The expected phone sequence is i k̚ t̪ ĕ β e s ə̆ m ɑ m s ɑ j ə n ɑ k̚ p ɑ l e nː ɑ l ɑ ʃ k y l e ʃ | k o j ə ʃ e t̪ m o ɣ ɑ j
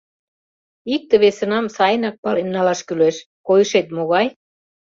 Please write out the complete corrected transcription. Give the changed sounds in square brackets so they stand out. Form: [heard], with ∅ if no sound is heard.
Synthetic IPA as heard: i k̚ t̪ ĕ β e s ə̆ [n] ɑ m s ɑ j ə n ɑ k̚ p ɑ l e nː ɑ l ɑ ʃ k y l e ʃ | k o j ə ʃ e t̪ m o ɣ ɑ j